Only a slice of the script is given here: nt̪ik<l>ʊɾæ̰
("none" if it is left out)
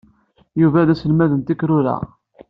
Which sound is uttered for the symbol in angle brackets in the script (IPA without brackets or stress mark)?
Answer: ɾ